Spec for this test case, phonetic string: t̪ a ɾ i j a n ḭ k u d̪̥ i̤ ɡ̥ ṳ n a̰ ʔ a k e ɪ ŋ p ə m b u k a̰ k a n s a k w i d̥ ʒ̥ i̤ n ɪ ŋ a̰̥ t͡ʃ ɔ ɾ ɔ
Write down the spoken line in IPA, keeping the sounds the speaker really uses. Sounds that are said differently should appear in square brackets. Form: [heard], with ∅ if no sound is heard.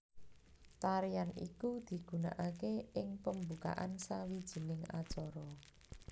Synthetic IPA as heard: t̪ a ɾ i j a n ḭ k u d̪̥ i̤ ɡ̥ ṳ n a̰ ʔ a k e ɪ ŋ p ə m b u k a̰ [ʔ] a n s a [∅] w i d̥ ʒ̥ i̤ n ɪ ŋ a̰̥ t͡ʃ ɔ ɾ ɔ